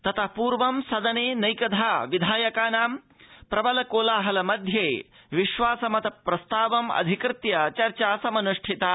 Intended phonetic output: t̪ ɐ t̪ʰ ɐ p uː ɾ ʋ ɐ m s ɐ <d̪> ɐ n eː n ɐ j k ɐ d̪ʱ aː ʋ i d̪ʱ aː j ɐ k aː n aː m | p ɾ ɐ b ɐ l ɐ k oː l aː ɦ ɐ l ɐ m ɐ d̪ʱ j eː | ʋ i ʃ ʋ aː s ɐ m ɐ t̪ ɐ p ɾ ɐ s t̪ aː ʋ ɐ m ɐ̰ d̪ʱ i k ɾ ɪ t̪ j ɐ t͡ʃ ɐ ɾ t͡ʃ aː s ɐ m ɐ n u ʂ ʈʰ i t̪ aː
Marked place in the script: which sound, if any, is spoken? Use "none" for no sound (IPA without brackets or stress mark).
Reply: d̪